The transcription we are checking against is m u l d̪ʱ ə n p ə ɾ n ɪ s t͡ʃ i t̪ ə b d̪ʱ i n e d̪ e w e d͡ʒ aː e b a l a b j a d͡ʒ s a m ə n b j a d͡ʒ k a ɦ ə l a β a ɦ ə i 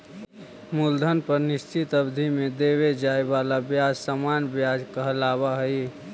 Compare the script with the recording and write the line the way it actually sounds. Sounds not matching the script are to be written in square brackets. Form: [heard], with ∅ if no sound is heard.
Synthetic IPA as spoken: m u l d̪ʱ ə n p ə ɾ n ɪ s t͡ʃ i t̪ ə b d̪ʱ i [m] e d̪ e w e d͡ʒ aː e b a l a b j a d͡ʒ s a m [a] n b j a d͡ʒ k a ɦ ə l a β a ɦ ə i